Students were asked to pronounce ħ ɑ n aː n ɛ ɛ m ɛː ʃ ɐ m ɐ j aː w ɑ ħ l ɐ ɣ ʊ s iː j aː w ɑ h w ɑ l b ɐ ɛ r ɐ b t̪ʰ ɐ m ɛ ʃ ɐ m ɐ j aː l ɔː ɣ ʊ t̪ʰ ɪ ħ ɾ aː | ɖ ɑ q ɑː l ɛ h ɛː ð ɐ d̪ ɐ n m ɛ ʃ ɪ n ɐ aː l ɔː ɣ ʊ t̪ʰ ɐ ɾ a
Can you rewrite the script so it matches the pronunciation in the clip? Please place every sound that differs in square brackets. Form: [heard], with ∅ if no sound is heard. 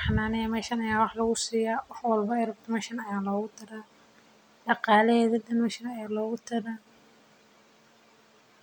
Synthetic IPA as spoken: ħ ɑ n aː n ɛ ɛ m ɛː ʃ ɐ [n] ɐ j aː w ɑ ħ l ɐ ɣ ʊ s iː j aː w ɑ [ħ] w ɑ l b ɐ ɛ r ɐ b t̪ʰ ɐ m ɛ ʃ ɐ [n] ɐ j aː l ɔː ɣ ʊ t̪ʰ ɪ [∅] ɾ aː | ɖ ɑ q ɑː l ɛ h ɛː ð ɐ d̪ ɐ n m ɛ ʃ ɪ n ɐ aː l ɔː ɣ ʊ t̪ʰ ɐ ɾ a